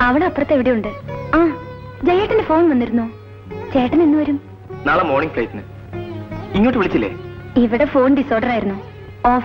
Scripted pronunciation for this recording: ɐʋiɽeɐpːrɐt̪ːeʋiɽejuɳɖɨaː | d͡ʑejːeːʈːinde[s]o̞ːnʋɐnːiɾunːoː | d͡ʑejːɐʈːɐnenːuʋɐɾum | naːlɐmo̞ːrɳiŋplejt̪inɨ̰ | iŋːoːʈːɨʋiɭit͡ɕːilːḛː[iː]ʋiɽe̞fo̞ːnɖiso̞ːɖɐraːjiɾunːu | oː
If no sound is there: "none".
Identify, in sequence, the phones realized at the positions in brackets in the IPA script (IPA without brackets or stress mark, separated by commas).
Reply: f, i